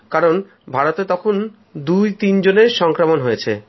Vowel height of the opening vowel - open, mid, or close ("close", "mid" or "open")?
open